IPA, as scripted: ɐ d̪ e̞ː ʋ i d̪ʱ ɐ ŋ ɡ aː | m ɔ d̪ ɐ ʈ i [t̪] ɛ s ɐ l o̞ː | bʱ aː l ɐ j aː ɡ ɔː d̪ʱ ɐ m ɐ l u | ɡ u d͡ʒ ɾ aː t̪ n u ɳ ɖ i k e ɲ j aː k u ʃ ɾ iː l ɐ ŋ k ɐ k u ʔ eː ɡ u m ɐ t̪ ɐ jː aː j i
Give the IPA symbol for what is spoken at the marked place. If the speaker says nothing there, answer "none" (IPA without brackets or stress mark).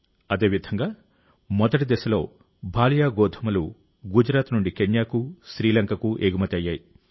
d̪